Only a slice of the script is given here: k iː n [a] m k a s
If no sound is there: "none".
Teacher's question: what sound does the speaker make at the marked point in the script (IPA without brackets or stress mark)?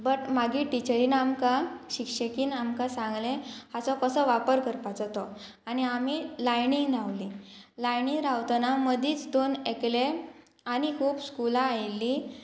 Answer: a